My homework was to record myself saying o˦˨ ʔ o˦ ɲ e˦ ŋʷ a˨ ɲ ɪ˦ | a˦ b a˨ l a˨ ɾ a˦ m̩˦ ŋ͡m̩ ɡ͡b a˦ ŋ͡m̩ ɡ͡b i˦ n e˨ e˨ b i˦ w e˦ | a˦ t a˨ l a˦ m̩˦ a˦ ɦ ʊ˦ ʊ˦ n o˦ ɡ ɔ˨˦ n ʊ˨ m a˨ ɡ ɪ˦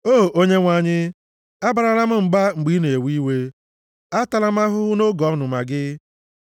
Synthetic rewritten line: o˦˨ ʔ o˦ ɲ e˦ ŋʷ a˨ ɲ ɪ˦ | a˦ b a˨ ɾ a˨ ɾ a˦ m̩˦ ŋ͡m̩ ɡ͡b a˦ ŋ͡m̩ ɡ͡b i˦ n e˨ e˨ w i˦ w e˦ | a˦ t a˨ l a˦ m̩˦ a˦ ɦ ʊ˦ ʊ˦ n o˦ ɡ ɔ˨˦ n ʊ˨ m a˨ ɡ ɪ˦